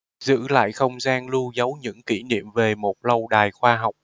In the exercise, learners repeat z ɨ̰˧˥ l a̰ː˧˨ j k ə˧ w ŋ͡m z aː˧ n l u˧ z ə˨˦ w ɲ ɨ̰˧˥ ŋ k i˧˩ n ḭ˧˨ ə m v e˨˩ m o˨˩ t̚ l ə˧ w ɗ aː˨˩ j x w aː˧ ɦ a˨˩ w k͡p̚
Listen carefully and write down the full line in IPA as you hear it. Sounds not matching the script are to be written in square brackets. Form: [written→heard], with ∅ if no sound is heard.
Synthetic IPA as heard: z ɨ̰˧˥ l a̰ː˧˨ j [k→x] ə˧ w ŋ͡m z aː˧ n l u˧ z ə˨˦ w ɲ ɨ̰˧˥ ŋ k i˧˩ n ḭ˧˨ ə m v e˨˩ m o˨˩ t̚ l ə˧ w ɗ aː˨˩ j x w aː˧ ɦ a˨˩ w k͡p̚